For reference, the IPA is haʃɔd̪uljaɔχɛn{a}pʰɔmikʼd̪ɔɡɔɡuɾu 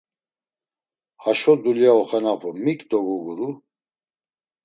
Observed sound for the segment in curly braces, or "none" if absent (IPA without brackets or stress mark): a